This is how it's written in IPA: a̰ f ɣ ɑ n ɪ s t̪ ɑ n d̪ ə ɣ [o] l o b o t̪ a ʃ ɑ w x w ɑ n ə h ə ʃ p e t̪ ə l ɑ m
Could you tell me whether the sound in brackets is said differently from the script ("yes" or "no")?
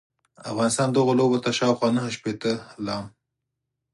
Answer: no